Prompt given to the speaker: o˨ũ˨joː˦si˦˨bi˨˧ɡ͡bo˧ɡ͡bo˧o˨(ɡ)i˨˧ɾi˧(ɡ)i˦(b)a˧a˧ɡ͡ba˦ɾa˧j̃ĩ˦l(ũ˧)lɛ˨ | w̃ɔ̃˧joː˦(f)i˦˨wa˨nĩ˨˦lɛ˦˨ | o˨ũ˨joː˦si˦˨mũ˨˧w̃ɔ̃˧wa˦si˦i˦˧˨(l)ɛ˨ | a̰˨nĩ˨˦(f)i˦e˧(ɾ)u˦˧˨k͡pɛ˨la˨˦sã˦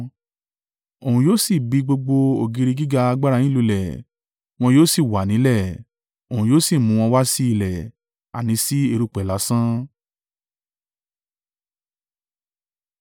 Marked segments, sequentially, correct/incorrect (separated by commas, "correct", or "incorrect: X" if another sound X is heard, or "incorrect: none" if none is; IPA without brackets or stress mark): correct, correct, incorrect: ɡ, incorrect: u˧, incorrect: s, correct, incorrect: s, correct